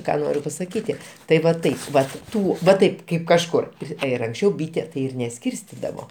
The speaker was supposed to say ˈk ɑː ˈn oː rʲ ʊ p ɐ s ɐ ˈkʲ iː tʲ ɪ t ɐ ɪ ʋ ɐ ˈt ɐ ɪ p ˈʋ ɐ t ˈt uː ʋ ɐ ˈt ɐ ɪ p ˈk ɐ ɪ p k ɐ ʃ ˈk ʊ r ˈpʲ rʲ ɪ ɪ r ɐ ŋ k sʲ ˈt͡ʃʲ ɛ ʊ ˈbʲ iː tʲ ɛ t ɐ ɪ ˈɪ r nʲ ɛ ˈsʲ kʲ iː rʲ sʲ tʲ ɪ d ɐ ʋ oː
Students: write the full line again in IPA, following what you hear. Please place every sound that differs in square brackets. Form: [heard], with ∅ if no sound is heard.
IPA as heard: ˈk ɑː ˈn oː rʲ ʊ p ɐ s ɐ ˈkʲ iː tʲ ɪ t ɐ ɪ ʋ ɐ ˈt ɐ ɪ p ˈʋ ɐ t ˈt uː ʋ ɐ ˈt ɐ ɪ p ˈk ɐ ɪ p k ɐ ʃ ˈk ʊ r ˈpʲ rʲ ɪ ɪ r ɐ ŋ k sʲ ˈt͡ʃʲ ɛ ʊ ˈbʲ iː tʲ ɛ t ɐ ɪ ˈɪ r nʲ ɛ ˈsʲ kʲ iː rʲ sʲ tʲ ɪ d ɐ ʋ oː